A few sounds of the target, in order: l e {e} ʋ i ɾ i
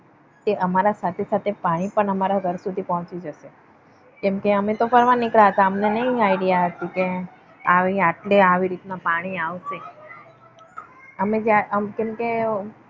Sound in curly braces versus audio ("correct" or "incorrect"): incorrect